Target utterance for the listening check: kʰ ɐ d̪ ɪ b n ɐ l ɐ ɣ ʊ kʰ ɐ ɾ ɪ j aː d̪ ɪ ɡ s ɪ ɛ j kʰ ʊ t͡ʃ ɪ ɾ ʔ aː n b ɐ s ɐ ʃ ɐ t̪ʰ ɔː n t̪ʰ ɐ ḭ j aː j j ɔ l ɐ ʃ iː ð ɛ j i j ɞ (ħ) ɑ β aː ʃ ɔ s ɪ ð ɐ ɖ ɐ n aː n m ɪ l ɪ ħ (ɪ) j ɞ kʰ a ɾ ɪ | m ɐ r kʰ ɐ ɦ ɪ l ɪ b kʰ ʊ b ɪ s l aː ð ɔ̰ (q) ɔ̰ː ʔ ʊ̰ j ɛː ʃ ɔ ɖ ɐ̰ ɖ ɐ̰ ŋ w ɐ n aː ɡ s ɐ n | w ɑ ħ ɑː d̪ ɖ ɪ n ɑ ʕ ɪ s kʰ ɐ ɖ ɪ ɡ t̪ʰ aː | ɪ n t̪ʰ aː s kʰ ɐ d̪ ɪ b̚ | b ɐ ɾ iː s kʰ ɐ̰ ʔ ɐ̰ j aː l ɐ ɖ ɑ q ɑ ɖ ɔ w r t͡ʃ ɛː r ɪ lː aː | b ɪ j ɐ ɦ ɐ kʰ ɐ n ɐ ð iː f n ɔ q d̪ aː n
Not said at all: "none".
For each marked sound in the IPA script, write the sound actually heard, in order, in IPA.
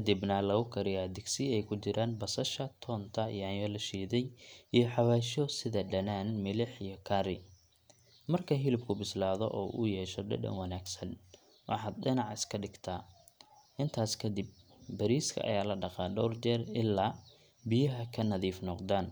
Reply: ħ, i, ʔ

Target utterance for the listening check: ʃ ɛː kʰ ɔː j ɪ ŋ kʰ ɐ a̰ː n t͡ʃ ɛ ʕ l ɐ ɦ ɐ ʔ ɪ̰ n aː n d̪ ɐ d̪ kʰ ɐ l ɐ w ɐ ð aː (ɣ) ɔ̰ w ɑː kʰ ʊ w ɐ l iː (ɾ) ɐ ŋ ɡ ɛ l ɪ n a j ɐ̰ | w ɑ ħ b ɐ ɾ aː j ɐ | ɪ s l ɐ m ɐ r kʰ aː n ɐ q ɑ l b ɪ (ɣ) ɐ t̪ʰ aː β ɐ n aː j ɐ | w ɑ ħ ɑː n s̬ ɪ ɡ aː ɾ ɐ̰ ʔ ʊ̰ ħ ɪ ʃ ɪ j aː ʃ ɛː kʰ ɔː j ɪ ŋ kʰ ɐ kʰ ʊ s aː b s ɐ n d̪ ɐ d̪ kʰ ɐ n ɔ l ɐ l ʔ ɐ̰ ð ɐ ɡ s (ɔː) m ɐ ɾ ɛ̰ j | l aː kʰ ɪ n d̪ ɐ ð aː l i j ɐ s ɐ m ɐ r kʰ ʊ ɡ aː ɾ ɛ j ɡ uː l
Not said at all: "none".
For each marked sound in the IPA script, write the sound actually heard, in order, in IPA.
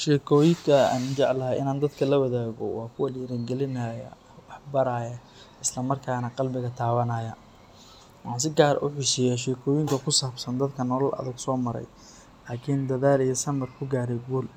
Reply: ɣ, ɾ, ɣ, ɔː

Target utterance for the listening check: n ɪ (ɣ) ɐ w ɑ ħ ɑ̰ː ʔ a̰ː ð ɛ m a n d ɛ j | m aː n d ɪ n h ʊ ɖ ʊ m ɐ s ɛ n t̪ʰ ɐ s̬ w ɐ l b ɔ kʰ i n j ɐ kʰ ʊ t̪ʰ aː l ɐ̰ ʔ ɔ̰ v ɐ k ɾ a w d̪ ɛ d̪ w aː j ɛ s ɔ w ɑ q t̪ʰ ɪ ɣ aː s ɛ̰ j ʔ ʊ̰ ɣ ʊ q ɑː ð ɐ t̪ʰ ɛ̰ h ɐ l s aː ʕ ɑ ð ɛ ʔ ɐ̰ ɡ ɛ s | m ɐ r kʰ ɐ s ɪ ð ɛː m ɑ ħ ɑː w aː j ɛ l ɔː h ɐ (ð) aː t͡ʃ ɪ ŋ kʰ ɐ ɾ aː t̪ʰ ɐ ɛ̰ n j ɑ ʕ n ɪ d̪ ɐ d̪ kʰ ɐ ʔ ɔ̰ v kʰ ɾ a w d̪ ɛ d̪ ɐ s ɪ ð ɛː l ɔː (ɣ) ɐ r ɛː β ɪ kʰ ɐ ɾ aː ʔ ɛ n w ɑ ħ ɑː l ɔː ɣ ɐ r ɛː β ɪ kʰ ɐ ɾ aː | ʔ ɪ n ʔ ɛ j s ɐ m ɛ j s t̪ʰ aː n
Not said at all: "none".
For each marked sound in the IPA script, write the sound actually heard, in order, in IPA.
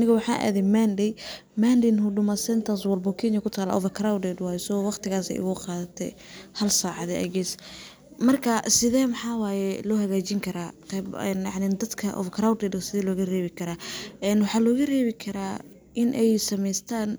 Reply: ɣ, ɣ, ɣ

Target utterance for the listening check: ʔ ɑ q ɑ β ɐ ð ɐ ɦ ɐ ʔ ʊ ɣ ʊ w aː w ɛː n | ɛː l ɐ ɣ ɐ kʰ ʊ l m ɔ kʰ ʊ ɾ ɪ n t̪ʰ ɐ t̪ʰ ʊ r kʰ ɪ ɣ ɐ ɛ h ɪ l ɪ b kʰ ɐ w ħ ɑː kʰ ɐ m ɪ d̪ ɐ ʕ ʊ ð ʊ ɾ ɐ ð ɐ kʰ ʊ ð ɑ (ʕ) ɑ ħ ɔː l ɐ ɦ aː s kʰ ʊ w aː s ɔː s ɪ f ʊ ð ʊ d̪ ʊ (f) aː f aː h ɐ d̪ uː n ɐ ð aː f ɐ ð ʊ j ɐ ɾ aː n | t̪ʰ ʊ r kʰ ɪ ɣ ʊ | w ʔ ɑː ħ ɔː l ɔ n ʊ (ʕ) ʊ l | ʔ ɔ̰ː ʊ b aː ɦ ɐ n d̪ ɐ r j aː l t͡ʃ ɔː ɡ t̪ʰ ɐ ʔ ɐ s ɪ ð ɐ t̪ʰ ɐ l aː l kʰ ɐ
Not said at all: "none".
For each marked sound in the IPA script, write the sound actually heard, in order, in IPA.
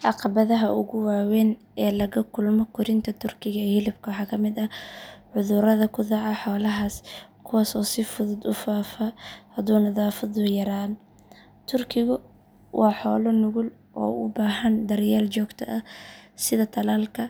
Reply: ʕ, f, ɣ

